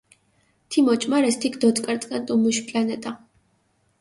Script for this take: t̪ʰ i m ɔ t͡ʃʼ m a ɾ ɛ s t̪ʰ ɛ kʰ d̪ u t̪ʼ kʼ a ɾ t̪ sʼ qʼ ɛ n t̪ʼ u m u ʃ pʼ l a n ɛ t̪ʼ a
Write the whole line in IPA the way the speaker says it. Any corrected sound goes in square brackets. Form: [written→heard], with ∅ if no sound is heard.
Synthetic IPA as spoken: t̪ʰ i m ɔ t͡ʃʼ m a ɾ ɛ s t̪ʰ [ɛ→i] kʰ d̪ [u→ɔ] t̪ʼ kʼ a ɾ t̪ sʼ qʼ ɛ n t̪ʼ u m u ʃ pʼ l a n ɛ t̪ʼ a

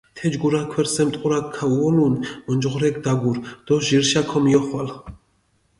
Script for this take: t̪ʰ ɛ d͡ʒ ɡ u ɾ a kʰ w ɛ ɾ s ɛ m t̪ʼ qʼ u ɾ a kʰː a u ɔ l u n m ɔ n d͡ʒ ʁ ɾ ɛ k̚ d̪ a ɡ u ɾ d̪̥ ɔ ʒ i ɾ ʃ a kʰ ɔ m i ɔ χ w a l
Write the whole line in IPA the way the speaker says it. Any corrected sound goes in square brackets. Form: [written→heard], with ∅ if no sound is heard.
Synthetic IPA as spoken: t̪ʰ ɛ d͡ʒ ɡ u ɾ a kʰ w ɛ ɾ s ɛ m t̪ʼ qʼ u ɾ a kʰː a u ɔ l u n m ɔ n d͡ʒ ʁ ɾ ɛ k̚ d̪ a ɡ u ɾ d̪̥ ɔ ʒ i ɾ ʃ a kʰ ɔ m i ɔ χ w a l

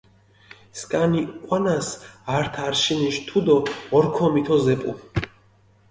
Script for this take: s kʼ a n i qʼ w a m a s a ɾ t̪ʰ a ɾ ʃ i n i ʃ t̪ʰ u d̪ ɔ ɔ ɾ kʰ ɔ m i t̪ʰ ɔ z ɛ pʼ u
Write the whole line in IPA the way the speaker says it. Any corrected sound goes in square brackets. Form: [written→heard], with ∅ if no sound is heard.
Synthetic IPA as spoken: s kʼ a n i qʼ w a [m→n] a s a ɾ t̪ʰ a ɾ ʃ i n i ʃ t̪ʰ u d̪ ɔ ɔ ɾ kʰ ɔ m i t̪ʰ ɔ z ɛ pʼ u

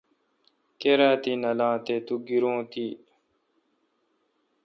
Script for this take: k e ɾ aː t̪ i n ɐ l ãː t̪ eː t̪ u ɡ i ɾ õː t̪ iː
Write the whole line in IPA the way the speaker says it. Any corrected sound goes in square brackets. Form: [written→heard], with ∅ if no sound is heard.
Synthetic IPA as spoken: k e ɾ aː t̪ i n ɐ l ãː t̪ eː t̪ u ɡ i ɾ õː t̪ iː

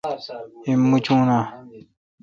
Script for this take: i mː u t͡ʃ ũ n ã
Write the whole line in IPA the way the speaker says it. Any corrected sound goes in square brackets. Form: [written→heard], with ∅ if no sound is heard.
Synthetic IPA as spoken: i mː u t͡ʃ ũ n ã

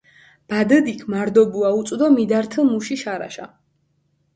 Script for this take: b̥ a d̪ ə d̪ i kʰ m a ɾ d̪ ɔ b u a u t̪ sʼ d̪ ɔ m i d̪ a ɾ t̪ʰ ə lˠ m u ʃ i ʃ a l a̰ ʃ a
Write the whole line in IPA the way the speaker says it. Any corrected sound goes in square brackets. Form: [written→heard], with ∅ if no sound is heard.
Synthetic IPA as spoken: b̥ a d̪ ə d̪ i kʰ m a ɾ d̪ ɔ b u a u t̪ sʼ d̪ ɔ m i d̪ a ɾ t̪ʰ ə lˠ m u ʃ i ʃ a [l→ɾ] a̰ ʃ a

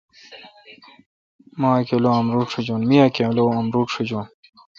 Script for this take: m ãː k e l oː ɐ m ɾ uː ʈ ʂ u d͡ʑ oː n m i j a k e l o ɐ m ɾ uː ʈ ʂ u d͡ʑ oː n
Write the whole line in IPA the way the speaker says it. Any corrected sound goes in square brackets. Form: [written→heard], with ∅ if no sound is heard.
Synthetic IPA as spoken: m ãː k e l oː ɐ m ɾ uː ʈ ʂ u d͡ʑ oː n m i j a k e l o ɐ m ɾ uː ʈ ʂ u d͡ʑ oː n

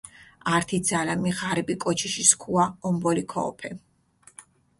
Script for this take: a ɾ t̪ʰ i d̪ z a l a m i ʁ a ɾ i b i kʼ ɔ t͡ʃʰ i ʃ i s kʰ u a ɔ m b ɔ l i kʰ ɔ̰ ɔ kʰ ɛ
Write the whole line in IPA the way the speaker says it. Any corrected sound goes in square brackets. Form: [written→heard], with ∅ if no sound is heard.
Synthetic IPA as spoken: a ɾ t̪ʰ i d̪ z a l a m i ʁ a ɾ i b i kʼ ɔ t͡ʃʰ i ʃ i s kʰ u a ɔ m b ɔ l i kʰ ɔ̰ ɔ [kʰ→pʰ] ɛ

